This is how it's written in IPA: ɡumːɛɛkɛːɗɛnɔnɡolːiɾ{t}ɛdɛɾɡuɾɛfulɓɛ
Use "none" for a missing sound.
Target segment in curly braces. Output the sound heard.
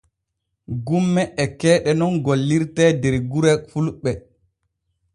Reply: t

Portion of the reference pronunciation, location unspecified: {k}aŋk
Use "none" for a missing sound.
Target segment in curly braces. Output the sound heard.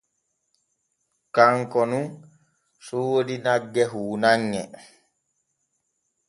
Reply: k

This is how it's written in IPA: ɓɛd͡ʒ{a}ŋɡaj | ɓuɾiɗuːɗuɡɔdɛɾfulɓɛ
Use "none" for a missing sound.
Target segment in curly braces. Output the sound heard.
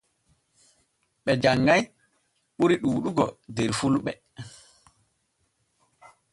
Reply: a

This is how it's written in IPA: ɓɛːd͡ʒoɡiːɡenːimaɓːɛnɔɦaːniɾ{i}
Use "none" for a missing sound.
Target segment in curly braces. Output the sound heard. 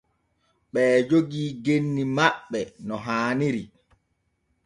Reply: i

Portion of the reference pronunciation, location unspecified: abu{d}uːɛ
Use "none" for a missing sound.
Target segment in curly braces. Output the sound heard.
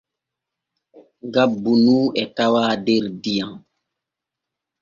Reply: n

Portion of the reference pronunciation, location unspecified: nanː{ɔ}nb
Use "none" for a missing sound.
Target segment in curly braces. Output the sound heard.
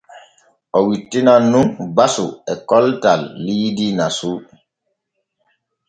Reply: u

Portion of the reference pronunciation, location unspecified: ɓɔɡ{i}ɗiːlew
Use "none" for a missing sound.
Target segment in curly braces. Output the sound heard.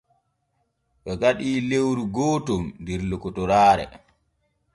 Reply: a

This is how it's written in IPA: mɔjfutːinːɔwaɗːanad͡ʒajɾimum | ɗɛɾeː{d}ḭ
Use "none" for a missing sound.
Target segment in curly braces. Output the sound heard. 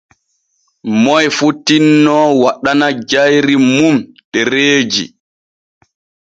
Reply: d͡ʒ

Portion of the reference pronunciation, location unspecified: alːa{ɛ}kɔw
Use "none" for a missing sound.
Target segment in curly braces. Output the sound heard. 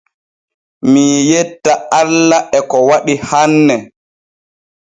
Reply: ɛ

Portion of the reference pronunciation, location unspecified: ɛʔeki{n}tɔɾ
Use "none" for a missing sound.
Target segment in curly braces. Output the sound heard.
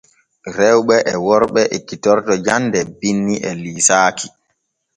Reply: none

